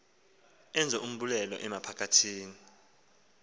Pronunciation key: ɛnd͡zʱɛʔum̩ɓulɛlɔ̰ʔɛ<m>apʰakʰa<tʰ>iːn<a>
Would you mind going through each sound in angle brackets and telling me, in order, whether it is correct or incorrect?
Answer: correct, correct, incorrect: i

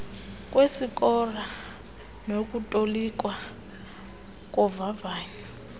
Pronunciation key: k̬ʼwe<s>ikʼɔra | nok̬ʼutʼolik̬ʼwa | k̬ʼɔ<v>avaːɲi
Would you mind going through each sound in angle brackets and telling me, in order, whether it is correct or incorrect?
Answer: correct, correct

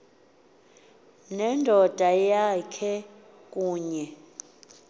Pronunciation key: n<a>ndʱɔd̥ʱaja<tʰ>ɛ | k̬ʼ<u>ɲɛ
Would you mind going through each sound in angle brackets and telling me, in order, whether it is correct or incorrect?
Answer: incorrect: ɛ, incorrect: kʰ, incorrect: uː

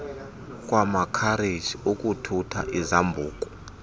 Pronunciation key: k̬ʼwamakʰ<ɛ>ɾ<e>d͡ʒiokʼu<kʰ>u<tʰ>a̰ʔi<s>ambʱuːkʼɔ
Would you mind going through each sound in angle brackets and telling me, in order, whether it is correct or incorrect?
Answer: incorrect: a, correct, incorrect: tʰ, correct, incorrect: z

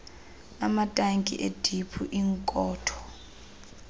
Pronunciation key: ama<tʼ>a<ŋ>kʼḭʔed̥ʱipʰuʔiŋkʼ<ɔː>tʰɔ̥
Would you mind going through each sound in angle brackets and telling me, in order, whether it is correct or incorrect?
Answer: correct, correct, correct

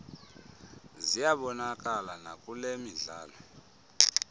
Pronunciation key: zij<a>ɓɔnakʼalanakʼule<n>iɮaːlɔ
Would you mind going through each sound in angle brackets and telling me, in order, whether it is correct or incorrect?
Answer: correct, incorrect: m

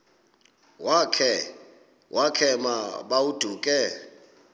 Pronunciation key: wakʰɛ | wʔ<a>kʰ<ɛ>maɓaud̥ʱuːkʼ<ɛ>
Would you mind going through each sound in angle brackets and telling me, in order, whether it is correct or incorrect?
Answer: correct, correct, correct

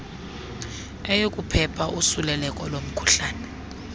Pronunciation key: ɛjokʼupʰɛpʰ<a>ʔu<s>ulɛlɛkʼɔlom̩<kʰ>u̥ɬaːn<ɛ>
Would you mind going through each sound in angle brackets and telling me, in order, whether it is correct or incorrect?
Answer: correct, correct, correct, correct

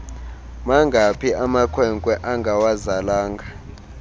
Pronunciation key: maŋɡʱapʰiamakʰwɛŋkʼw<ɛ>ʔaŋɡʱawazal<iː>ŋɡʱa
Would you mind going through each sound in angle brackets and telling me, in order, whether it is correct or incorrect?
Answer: correct, incorrect: aː

